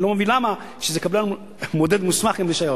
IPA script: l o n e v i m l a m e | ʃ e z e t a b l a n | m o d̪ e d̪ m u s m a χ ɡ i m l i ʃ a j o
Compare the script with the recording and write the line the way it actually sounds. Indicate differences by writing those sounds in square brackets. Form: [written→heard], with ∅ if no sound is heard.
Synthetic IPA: l o [n→m] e v i [m→n] l a m [e→a] | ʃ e z e [t→k] a b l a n | m o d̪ e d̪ m u s m a χ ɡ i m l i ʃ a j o